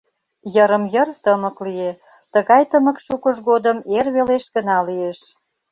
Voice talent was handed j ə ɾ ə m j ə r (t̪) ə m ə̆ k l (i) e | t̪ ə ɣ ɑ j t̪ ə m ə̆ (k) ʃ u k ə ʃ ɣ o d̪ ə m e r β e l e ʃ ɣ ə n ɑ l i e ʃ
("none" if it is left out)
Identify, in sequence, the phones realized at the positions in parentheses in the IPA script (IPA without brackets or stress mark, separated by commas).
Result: t̪, i, k